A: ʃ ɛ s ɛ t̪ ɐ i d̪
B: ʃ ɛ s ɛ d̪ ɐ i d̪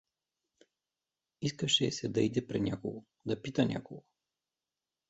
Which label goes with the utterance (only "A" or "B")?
B